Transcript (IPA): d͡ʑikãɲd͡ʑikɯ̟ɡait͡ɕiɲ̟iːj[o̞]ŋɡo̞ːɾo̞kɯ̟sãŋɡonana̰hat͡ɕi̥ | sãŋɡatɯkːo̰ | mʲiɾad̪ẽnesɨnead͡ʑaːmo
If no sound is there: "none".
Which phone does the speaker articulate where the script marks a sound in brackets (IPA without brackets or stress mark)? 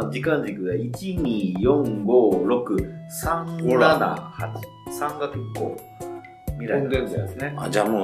õ̞